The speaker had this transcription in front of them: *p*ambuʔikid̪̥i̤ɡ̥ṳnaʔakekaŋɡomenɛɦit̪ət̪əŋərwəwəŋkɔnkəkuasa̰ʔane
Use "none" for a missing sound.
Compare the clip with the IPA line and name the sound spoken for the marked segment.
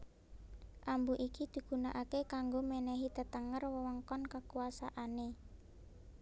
ʔ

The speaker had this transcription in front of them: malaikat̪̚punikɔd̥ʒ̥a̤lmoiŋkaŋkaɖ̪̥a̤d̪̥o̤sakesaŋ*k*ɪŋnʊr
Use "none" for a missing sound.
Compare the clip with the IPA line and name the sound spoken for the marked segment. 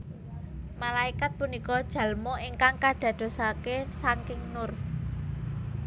k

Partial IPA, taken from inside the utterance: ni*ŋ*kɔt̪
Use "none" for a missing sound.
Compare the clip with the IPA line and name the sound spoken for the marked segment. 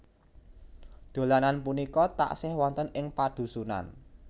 none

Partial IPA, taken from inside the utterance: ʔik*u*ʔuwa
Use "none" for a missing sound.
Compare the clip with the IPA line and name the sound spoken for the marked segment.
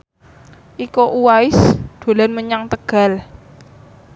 o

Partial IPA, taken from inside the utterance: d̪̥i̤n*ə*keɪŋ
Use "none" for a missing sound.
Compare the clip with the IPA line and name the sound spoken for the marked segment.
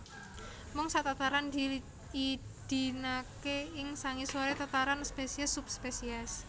a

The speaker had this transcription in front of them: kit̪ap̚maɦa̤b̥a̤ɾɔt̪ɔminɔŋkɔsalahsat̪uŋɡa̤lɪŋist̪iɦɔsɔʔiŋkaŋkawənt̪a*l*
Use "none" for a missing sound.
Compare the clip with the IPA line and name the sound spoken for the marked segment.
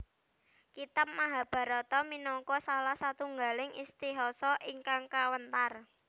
r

